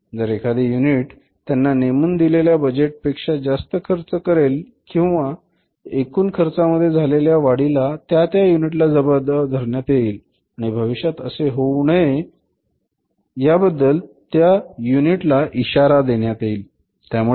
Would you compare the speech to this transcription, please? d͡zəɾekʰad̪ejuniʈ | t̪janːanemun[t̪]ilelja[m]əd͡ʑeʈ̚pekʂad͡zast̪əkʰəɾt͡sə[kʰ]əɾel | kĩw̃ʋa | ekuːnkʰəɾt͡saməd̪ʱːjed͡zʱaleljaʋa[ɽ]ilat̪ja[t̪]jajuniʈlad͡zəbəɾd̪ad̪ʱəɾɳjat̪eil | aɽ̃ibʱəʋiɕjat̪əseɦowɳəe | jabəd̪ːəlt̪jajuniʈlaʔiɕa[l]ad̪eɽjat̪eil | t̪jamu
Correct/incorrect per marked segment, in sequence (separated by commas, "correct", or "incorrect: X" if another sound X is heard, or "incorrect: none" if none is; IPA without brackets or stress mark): incorrect: d̪, incorrect: b, incorrect: k, correct, correct, incorrect: ɾ